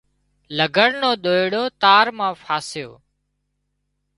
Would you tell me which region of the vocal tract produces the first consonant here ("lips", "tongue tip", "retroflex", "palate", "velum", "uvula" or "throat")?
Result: tongue tip